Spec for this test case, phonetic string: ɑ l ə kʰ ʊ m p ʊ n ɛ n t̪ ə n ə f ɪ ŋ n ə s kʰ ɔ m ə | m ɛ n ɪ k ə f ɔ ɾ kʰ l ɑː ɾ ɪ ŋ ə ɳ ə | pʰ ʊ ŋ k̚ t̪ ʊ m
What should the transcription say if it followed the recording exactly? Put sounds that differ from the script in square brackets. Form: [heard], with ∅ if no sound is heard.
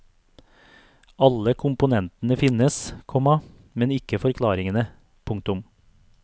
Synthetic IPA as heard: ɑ l ə kʰ ʊ m p ʊ n ɛ n t̪ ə n ə f ɪ [∅] n ə s kʰ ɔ m [ɑ] | m ɛ n ɪ k ə f ɔ ɾ kʰ l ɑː ɾ ɪ ŋ ə [n] ə | pʰ ʊ ŋ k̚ t̪ ʊ m